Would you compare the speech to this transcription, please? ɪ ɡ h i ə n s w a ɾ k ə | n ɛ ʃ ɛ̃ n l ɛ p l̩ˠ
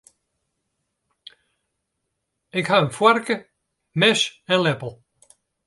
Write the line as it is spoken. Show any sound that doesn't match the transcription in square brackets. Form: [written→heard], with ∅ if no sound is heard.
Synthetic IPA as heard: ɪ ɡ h [i→a] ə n [s→f] w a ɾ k ə | [n→m] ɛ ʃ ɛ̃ n l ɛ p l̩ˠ